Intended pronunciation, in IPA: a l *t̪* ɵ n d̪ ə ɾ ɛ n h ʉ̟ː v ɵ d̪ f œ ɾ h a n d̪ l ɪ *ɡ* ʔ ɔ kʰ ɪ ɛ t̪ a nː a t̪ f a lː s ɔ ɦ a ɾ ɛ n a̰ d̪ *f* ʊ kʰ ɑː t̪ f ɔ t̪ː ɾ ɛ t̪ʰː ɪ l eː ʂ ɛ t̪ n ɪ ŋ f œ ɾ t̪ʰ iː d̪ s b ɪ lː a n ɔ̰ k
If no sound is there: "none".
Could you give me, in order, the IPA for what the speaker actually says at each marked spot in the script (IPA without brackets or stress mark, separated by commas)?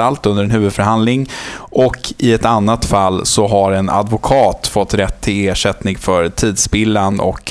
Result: t̪, ŋ, v